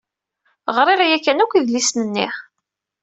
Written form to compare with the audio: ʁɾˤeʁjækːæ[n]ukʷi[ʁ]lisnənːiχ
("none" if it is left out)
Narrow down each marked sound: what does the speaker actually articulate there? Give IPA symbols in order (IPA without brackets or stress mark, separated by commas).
n, ð